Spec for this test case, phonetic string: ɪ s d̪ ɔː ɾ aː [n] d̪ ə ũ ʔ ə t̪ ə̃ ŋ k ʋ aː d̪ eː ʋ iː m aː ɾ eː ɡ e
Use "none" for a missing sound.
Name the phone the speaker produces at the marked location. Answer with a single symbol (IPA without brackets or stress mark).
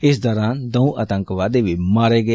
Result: n